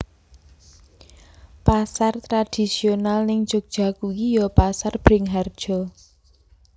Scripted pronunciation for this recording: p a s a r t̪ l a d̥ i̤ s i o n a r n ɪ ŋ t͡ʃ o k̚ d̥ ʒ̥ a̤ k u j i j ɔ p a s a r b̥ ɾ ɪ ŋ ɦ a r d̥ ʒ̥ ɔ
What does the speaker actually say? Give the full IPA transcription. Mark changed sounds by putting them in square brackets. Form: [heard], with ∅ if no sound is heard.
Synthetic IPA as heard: p a s a r t̪ [ɾ] a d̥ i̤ s i o n a [l] n ɪ ŋ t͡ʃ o k̚ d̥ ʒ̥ a̤ k u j i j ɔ p a s a r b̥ ɾ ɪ ŋ ɦ a r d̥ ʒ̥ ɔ